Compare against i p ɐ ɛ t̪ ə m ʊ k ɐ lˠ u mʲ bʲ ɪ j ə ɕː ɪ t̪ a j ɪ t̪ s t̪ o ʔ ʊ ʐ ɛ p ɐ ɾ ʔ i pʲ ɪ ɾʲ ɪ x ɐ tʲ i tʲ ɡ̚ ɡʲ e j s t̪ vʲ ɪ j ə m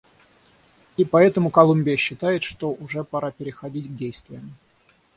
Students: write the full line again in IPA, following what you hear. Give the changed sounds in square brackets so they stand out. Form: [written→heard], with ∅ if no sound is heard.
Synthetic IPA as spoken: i p ɐ ɛ t̪ ə m ʊ k ɐ lˠ u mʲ bʲ ɪ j ə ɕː ɪ t̪ a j ɪ t̪ [s→ʂ] t̪ o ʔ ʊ ʐ ɛ p ɐ ɾ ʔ [i→a] pʲ ɪ ɾʲ ɪ x ɐ [tʲ→dʲ] i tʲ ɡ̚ [ɡʲ→dʲ] e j s t̪ vʲ ɪ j ə m